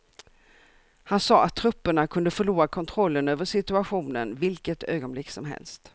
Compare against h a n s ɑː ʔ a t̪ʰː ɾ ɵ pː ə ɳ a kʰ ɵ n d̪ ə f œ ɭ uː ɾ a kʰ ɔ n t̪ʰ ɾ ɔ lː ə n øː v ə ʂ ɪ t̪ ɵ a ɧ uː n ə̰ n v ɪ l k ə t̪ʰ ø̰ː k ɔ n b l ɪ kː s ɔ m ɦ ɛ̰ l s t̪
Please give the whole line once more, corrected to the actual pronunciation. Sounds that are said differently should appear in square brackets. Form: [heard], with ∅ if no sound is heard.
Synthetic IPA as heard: h a n s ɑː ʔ a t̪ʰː ɾ ɵ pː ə ɳ a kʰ ɵ n d̪ ə f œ ɭ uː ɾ a kʰ ɔ n t̪ʰ ɾ ɔ lː ə n øː v ə ʂ ɪ t̪ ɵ a ɧ uː n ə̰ n v ɪ l k ə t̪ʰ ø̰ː [ɡ] ɔ n b l ɪ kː s ɔ m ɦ ɛ̰ l s t̪